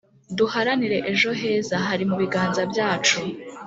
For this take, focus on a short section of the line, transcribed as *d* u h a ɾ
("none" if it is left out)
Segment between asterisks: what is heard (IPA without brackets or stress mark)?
d